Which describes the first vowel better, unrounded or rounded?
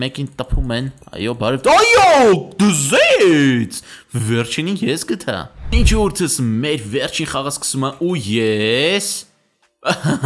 unrounded